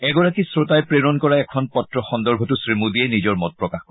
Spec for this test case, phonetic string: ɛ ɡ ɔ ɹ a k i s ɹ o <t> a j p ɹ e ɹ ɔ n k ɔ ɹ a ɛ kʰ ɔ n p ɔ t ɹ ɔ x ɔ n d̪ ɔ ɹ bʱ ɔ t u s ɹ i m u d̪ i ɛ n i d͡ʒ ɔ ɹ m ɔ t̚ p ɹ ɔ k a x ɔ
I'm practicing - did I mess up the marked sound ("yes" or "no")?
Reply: no